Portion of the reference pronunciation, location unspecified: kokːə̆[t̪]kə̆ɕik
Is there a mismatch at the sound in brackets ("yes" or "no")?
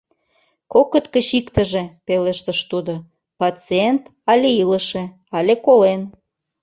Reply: no